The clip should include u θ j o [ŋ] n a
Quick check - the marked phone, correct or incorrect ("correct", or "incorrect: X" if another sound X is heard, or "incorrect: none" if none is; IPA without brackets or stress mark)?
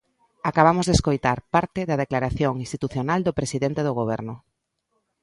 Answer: incorrect: none